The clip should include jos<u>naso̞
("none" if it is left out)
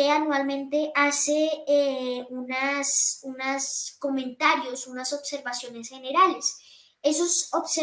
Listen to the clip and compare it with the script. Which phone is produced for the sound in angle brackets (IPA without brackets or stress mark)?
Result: u